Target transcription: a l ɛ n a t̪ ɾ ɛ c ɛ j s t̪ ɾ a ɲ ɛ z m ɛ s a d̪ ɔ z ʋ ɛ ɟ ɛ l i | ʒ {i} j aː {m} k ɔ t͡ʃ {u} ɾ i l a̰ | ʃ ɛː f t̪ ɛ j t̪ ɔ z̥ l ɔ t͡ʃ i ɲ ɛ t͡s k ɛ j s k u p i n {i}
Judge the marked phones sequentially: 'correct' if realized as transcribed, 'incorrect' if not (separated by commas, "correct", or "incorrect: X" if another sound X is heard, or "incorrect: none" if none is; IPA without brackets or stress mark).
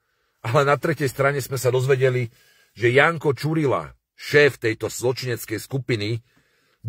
incorrect: ɛ, incorrect: ŋ, correct, correct